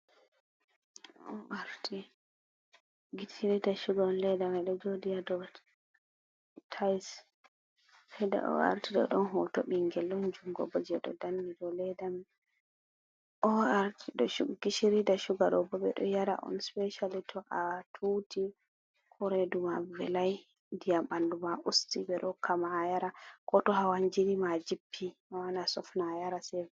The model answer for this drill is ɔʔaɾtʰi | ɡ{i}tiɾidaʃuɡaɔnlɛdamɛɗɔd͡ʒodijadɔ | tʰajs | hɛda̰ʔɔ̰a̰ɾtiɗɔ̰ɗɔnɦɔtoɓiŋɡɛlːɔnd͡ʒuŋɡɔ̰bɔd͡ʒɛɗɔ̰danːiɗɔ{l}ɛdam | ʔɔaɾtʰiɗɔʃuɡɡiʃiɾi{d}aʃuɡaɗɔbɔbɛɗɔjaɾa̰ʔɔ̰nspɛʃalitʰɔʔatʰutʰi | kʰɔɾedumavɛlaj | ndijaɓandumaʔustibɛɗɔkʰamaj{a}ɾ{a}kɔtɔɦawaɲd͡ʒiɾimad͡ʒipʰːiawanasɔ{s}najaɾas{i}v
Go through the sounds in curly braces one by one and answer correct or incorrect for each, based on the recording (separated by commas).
correct, correct, correct, correct, correct, incorrect, incorrect